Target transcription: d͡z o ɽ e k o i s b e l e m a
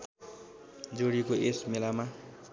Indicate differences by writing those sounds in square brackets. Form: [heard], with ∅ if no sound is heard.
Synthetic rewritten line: d͡z o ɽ [i] k o [e] s [m] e l [a] m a